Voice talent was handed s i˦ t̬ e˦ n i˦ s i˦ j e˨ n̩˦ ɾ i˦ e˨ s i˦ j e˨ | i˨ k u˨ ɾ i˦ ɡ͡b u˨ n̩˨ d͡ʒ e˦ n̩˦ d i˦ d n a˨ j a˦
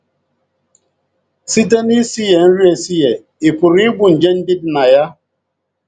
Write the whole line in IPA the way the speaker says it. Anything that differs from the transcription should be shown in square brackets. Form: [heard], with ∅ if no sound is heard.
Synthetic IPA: s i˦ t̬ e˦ n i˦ s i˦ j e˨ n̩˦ ɾ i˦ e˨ s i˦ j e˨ | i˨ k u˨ ɾ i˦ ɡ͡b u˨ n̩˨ d͡ʒ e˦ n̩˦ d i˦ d n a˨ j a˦